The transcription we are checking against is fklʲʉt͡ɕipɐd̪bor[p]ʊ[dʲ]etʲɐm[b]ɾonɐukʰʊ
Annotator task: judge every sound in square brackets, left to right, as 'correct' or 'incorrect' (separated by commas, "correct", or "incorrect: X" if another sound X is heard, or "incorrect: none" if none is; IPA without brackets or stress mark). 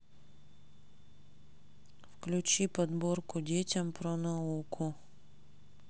incorrect: k, correct, incorrect: p